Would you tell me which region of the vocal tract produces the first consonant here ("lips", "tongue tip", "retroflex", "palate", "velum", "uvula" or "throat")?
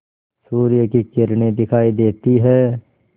tongue tip